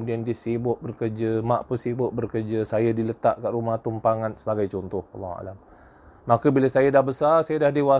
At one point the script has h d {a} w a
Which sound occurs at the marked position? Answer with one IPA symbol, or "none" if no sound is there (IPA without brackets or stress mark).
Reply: i